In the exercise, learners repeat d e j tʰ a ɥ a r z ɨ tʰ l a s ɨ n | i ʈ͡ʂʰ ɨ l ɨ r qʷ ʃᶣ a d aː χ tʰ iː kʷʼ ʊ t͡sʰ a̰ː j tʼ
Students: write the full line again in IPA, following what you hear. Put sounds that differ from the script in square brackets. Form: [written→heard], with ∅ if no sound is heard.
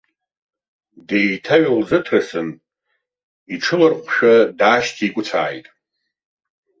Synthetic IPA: d e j tʰ a ɥ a [r→l] z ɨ tʰ [l→r] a s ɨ n | i ʈ͡ʂʰ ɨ l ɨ r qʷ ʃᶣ a d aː [χ→ʃ] tʰ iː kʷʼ ʊ t͡sʰ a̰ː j tʼ